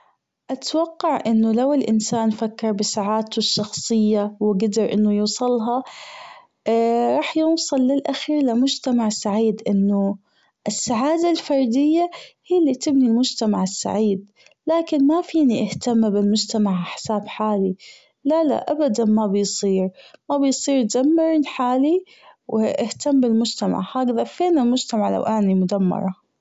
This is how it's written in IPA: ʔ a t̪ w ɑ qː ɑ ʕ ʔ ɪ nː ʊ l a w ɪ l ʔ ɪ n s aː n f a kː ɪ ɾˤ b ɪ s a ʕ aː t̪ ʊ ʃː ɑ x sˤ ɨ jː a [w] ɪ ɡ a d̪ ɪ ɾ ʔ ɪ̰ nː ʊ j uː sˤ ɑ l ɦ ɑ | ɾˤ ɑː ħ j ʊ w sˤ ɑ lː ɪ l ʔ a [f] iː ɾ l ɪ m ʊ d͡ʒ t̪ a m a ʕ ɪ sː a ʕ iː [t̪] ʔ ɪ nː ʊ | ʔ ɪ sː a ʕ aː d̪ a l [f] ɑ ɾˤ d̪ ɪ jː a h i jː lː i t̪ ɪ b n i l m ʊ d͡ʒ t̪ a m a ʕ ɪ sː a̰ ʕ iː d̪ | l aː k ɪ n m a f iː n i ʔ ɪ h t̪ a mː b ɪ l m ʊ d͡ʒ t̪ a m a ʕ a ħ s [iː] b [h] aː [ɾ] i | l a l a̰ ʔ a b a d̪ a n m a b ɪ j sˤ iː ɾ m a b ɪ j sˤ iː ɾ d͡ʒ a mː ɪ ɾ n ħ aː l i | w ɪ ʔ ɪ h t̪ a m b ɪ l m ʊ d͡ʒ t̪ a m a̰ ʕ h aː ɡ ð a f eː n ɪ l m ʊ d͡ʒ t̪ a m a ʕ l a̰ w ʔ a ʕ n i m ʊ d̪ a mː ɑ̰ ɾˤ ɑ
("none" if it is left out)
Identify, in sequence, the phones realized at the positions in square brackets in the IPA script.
w, x, d̪, f, aː, ħ, l

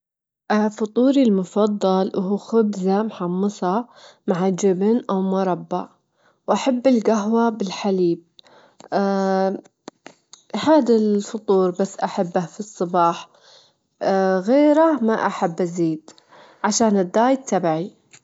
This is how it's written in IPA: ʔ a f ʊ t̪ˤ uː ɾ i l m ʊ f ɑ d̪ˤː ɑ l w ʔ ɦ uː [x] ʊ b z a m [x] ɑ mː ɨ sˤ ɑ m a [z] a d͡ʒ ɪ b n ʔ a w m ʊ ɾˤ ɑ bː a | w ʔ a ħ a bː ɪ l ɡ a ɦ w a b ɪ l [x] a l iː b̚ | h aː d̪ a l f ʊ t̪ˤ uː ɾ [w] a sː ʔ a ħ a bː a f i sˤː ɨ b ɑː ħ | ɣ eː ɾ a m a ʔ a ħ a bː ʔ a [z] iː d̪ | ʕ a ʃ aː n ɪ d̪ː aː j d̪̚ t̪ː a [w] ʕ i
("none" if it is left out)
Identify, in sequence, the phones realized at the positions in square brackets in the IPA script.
x, ħ, ʕ, ħ, b, z, b

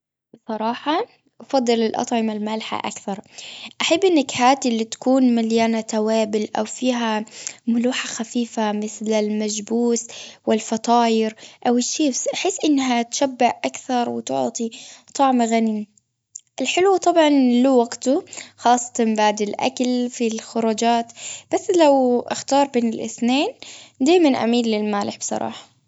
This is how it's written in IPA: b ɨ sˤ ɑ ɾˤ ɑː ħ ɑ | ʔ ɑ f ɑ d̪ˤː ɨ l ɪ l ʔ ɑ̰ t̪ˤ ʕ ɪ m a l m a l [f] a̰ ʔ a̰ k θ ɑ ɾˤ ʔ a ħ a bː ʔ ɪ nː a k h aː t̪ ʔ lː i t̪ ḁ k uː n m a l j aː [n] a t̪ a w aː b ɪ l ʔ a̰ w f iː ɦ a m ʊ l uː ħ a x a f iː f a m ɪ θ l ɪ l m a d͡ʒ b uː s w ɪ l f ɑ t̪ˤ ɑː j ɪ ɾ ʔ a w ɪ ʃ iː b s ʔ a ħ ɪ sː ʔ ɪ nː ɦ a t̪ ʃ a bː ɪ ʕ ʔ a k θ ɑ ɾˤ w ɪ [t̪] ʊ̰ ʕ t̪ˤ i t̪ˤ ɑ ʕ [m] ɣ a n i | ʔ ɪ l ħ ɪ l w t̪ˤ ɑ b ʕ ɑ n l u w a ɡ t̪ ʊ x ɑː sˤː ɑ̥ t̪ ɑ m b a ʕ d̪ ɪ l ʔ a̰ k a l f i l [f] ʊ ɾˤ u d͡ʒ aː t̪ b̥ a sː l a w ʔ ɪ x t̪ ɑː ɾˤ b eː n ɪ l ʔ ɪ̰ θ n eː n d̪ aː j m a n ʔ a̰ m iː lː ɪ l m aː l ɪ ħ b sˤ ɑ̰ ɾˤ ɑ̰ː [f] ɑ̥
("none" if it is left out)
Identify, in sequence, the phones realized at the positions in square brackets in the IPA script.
ħ, n, t̪, m, x, ħ

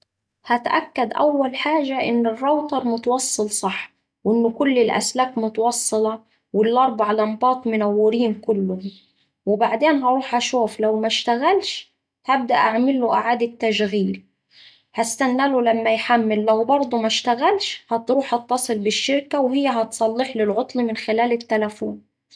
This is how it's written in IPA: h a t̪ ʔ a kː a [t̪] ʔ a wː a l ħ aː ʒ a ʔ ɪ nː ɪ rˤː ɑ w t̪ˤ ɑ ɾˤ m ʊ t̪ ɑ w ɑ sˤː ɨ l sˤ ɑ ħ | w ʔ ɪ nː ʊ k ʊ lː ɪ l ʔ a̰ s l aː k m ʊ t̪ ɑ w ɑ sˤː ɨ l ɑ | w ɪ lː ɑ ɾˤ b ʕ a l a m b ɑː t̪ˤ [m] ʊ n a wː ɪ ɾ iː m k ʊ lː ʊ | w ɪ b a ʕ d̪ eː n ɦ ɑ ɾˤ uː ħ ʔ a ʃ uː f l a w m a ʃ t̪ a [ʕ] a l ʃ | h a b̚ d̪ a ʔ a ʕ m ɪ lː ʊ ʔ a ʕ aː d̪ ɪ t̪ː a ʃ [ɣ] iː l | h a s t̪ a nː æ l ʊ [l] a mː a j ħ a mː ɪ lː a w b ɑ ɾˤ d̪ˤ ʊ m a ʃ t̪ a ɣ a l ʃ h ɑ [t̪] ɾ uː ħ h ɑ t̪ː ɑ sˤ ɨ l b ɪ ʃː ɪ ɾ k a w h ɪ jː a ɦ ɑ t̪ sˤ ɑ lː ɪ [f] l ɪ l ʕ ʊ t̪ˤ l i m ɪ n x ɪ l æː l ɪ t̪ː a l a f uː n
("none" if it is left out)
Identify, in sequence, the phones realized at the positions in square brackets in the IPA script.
d̪, m, ɣ, ɣ, l, t̪, ħ

